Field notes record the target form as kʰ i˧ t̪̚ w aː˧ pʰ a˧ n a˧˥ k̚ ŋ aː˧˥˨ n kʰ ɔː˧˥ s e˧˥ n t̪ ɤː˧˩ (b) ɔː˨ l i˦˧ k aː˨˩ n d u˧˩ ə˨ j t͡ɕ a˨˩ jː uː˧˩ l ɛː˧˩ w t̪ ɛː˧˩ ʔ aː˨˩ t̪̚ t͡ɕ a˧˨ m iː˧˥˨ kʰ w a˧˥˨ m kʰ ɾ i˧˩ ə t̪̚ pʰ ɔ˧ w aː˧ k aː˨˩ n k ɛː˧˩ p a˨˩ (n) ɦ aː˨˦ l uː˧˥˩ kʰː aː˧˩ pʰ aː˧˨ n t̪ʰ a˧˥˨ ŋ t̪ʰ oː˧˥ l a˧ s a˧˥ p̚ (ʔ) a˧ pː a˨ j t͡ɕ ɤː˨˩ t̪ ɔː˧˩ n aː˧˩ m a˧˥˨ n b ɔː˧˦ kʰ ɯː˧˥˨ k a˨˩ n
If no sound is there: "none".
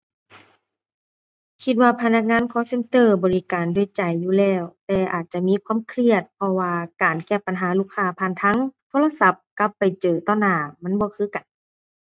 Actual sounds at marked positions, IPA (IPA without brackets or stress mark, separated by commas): b, n, k